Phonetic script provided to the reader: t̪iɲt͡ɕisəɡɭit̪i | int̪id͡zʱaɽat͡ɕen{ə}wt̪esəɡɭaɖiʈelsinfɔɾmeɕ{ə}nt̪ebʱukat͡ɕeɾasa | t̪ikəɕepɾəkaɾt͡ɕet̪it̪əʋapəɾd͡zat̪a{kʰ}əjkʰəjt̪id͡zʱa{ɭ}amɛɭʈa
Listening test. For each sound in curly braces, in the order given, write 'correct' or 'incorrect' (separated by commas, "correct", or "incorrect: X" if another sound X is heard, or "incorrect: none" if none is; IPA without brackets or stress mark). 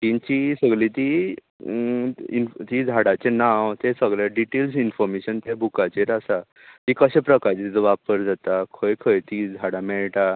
incorrect: a, correct, correct, incorrect: ɽ